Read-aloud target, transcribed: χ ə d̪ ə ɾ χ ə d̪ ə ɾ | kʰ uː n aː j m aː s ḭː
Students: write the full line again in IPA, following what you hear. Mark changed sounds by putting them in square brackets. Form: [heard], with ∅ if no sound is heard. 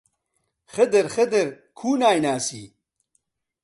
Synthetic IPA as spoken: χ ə d̪ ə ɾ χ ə d̪ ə ɾ | kʰ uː n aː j [n] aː s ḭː